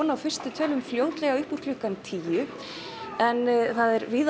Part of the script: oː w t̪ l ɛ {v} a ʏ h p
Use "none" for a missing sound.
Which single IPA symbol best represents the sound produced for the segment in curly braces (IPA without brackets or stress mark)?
ɣ